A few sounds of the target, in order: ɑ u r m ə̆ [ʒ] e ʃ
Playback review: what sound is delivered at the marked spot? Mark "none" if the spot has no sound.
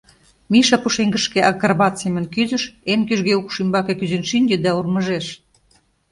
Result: ʒ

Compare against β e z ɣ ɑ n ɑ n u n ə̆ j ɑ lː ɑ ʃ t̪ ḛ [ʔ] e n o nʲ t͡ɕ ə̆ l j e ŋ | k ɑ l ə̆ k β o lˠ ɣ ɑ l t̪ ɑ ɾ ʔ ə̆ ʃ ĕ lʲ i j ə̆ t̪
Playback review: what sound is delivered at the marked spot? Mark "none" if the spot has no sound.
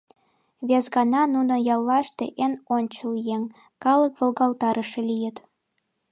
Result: ʔ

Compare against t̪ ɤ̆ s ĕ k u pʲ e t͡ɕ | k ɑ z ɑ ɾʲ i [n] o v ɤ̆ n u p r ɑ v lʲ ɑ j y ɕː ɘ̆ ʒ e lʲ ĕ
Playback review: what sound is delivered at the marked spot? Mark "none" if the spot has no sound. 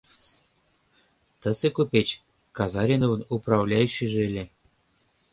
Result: n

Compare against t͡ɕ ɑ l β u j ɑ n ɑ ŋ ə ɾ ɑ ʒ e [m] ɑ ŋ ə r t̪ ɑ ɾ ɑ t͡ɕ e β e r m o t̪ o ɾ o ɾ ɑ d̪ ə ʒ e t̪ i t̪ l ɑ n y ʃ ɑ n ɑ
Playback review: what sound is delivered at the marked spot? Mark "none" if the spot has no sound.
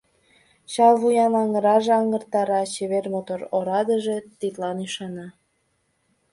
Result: none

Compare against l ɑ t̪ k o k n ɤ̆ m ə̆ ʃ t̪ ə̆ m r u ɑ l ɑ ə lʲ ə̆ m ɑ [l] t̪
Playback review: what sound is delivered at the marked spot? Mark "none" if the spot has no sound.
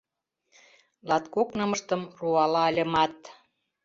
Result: none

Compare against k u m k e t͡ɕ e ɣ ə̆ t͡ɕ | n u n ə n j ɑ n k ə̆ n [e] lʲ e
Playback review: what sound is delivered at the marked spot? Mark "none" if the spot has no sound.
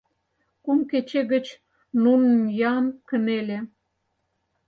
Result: e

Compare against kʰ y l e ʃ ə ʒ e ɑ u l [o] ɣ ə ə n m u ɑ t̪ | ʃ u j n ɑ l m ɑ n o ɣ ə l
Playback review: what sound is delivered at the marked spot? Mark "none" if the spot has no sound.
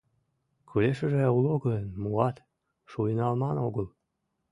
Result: o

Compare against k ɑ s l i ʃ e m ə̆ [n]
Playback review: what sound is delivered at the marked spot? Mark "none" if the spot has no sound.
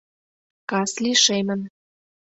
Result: n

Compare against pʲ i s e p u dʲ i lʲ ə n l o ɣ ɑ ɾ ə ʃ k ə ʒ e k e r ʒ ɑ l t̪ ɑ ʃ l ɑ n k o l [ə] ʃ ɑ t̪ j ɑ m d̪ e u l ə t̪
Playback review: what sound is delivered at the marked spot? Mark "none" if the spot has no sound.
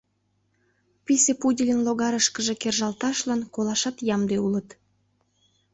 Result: ɑ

